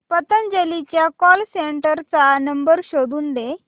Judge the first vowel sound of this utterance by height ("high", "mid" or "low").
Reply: mid